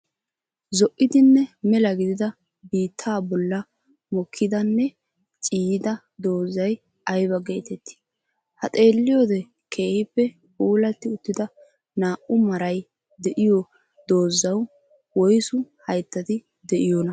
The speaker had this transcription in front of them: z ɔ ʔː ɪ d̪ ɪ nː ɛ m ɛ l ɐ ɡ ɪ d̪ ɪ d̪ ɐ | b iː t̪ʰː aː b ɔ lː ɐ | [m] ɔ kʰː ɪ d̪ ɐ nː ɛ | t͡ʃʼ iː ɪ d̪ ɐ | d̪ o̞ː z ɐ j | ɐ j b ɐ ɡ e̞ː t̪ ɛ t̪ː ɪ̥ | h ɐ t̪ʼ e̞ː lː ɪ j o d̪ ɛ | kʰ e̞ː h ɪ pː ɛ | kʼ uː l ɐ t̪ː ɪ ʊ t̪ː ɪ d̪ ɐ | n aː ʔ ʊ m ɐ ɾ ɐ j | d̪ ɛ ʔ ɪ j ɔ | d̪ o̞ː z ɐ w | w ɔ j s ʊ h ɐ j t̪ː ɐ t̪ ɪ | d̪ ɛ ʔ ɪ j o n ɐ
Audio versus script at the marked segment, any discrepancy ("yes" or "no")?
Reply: no